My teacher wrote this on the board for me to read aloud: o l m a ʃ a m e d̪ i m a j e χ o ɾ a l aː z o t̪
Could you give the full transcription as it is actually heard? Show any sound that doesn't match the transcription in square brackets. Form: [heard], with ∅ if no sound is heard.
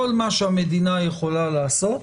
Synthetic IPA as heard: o l m a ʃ a m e d̪ i [n] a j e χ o [l] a l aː [s] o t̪